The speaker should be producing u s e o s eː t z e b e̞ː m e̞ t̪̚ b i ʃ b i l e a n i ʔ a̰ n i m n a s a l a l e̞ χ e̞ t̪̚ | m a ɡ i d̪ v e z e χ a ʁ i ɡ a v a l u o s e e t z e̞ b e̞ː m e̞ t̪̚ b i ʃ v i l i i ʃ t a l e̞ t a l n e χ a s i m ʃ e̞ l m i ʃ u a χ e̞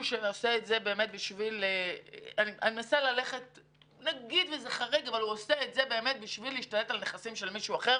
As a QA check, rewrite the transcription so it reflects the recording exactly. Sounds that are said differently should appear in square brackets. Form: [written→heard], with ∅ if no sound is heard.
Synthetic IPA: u [s→ʃ] e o s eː t z e b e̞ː m e̞ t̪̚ b i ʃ [b→v] i l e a n i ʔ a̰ n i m n a s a l a l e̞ χ e̞ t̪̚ | [m→n] a ɡ i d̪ v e z e χ a ʁ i ɡ a v a l u o s e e t z e̞ b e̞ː m e̞ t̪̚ b i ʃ v i l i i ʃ t a l e̞ t a l n e χ a s i m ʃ e̞ l m i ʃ u a χ e̞